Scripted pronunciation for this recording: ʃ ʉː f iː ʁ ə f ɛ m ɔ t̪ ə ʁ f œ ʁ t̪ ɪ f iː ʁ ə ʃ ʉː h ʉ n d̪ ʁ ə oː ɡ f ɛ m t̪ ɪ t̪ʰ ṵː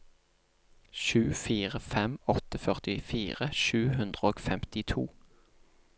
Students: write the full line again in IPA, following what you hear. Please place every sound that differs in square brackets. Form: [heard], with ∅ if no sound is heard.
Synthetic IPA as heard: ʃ ʉː f iː ʁ ə f ɛ m ɔ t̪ ə [∅] f œ ʁ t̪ ɪ f iː ʁ ə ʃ ʉː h ʉ n d̪ ʁ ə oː ɡ f ɛ m t̪ ɪ t̪ʰ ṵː